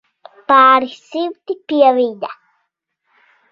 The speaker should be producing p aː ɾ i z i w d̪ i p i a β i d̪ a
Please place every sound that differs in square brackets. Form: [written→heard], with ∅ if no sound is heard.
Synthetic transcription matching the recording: p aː ɾ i [z→s] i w [d̪→t̪] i p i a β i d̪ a